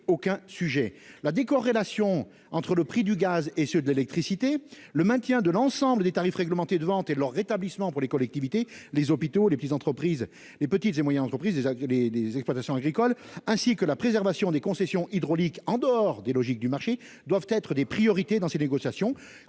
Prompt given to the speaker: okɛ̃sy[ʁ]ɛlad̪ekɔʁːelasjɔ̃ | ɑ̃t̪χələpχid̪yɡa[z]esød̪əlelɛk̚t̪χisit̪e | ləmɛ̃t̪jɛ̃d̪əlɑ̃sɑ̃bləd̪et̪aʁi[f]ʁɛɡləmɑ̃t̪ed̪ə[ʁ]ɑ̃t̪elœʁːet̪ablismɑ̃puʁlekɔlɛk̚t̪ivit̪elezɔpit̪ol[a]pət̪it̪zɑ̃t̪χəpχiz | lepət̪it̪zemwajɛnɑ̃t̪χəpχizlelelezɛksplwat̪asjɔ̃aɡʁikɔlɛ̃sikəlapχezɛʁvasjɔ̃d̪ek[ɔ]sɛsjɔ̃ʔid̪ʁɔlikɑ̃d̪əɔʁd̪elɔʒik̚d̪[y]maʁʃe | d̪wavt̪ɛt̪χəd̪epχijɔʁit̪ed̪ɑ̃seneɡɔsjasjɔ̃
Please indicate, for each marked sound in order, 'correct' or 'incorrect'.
incorrect, correct, correct, incorrect, incorrect, incorrect, correct

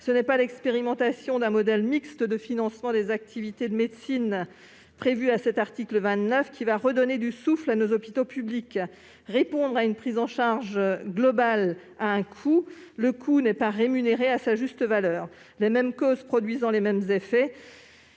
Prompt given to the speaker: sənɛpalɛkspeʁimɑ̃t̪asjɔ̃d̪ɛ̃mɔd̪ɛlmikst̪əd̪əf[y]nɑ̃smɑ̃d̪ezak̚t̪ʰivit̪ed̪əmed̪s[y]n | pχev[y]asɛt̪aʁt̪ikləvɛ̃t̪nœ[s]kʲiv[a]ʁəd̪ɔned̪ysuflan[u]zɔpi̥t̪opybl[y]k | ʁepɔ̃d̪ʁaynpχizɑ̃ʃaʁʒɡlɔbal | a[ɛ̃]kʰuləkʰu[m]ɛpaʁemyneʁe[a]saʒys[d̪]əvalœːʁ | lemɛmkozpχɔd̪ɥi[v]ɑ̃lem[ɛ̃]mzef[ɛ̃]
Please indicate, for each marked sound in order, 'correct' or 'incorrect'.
incorrect, incorrect, correct, incorrect, correct, incorrect, incorrect, correct, incorrect, correct, incorrect, incorrect, incorrect, incorrect

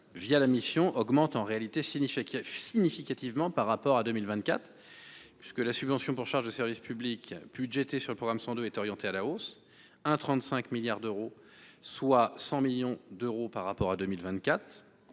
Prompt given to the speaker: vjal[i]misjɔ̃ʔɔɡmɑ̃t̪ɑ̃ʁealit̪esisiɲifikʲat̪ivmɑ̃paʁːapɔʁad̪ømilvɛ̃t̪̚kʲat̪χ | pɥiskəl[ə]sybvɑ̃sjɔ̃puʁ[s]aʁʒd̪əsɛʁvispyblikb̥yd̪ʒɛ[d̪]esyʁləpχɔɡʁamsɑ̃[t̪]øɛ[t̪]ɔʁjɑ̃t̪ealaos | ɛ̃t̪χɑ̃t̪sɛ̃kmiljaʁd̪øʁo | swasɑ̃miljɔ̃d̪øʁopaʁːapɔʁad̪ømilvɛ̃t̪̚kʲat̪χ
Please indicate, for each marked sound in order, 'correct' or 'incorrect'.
incorrect, incorrect, incorrect, incorrect, incorrect, correct

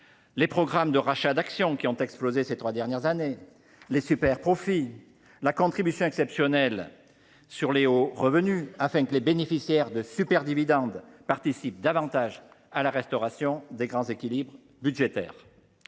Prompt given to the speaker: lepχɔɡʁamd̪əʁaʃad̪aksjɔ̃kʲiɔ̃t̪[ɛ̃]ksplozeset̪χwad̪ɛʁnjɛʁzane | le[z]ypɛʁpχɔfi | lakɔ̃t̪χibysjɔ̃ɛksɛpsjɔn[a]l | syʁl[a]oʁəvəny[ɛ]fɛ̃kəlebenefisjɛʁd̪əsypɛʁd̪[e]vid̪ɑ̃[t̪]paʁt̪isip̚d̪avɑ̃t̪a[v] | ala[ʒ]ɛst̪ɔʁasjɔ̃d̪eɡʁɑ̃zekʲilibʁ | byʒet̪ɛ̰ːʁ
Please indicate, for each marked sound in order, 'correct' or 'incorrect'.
incorrect, incorrect, incorrect, incorrect, incorrect, incorrect, incorrect, incorrect, incorrect

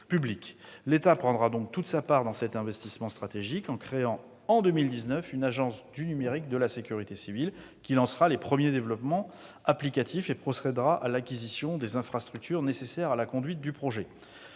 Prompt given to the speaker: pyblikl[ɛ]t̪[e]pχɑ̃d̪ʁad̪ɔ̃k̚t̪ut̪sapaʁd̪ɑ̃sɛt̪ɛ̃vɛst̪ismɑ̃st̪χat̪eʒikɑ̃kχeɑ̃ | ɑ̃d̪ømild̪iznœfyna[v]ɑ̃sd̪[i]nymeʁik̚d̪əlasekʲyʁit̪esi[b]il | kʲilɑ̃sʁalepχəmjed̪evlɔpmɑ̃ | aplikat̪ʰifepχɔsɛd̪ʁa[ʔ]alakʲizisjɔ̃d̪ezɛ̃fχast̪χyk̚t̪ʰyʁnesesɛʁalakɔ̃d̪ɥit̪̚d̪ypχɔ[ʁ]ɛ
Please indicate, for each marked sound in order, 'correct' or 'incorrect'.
incorrect, incorrect, incorrect, incorrect, incorrect, correct, incorrect

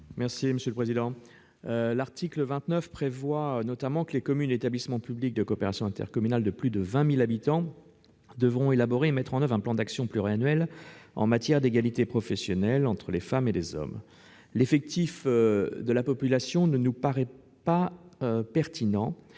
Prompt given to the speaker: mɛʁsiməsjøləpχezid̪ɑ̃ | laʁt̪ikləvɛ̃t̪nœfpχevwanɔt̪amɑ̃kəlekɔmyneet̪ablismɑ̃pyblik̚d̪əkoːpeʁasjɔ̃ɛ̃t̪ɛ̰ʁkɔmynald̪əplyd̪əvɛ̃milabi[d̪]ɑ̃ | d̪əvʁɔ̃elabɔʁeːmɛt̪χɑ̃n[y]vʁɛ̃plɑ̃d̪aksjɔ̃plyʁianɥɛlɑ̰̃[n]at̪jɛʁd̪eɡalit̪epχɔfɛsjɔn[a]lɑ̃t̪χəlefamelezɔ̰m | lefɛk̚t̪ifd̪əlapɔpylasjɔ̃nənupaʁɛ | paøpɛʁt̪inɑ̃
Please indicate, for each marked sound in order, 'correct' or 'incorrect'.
incorrect, incorrect, incorrect, incorrect

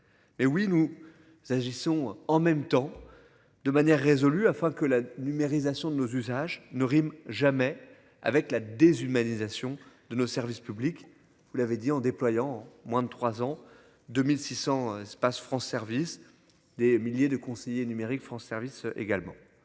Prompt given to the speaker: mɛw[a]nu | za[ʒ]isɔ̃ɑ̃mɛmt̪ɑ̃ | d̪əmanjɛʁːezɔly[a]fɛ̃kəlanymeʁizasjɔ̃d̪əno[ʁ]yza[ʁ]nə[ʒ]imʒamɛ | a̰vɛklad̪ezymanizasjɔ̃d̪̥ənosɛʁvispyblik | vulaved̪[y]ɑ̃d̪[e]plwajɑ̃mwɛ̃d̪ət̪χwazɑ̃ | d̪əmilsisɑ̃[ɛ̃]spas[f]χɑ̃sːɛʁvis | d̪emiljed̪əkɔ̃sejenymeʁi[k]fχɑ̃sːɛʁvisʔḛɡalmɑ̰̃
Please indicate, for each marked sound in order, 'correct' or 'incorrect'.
incorrect, correct, correct, incorrect, incorrect, incorrect, incorrect, correct, incorrect, correct, correct

